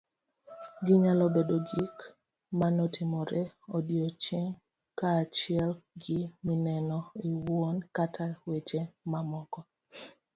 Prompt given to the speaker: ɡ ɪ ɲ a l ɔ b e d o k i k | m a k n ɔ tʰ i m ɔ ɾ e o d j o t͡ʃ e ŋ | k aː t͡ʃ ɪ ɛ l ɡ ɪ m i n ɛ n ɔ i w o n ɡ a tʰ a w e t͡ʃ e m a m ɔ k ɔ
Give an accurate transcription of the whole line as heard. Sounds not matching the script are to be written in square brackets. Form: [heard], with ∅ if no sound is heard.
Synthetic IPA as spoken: ɡ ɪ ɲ a l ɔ b e d o [ɡ] i k | m a [∅] n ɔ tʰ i m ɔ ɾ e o d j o t͡ʃ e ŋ | k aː t͡ʃ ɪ ɛ l ɡ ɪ m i n ɛ n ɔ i w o n [k] a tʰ a w e t͡ʃ e m a m ɔ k ɔ